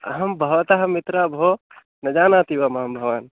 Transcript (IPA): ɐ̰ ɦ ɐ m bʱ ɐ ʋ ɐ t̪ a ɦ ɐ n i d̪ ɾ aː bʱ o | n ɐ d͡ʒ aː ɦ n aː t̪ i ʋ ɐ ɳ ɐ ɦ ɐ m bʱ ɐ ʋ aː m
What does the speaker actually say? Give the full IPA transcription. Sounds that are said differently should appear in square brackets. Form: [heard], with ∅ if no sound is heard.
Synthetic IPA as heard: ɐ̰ ɦ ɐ m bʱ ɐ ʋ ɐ t̪ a ɦ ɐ [m] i [t̪] ɾ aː bʱ o | n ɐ d͡ʒ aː [∅] n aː t̪ i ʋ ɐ [m] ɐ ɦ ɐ m bʱ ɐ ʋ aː [n]